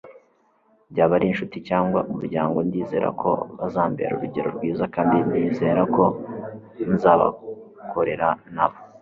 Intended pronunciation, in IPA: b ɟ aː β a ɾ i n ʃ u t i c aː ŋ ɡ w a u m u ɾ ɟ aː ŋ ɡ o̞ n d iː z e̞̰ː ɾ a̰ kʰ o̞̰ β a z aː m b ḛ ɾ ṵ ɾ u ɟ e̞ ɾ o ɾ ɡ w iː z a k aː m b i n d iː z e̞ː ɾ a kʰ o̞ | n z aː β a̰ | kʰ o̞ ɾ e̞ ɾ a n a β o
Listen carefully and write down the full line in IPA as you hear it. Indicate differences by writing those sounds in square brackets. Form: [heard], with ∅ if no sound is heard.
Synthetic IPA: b ɟ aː β a ɾ i n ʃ u t i c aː ŋ ɡ w a u m u ɾ ɟ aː ŋ ɡ o̞ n d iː z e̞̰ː ɾ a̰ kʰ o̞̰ β a z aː m b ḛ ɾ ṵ ɾ u ɟ e̞ ɾ o ɾ ɡ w iː z a k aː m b i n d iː z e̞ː ɾ a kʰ o̞ | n z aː β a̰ | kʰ o̞ ɾ e̞ ɾ a n a β o